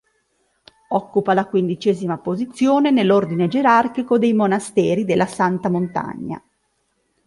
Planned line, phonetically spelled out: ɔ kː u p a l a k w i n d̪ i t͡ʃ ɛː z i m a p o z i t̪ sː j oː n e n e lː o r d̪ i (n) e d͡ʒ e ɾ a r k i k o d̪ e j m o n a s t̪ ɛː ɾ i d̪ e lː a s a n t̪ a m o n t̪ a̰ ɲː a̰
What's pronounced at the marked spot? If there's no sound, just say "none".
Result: n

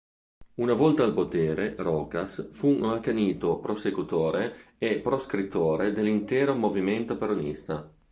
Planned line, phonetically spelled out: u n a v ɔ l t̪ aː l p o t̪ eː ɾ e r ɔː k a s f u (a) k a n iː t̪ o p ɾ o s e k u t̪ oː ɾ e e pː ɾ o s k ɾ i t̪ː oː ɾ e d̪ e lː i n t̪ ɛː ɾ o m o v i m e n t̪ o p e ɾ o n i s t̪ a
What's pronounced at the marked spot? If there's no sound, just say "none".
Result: a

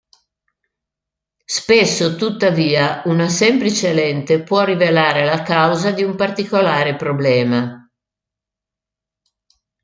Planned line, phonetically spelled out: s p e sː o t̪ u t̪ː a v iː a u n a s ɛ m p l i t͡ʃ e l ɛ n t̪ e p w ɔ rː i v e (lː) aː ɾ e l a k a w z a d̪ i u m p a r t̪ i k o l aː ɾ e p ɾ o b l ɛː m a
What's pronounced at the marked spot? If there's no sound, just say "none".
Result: l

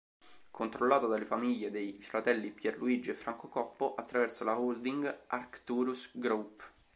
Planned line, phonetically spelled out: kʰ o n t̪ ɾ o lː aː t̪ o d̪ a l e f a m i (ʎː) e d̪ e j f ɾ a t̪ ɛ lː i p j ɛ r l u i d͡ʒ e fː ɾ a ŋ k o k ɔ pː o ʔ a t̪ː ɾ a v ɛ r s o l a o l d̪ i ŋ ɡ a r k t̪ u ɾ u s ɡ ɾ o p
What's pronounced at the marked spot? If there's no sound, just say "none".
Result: ʎː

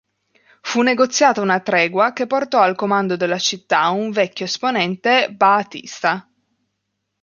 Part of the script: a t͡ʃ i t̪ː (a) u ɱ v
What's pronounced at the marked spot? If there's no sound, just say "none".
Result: a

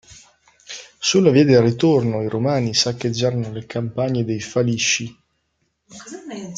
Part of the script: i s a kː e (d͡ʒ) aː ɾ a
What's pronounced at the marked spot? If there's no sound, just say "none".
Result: d͡ʒː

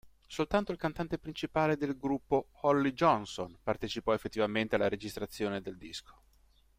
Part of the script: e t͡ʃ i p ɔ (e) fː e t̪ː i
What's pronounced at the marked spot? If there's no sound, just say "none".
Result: e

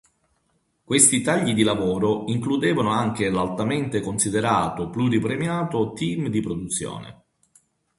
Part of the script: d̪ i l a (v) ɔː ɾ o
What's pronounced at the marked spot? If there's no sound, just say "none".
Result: v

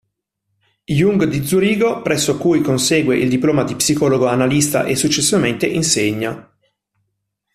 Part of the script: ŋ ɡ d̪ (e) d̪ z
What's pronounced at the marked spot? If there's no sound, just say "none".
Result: i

